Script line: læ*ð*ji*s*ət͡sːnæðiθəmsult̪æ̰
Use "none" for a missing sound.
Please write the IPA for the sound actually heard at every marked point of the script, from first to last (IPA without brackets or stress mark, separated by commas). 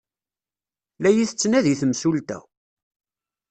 none, θ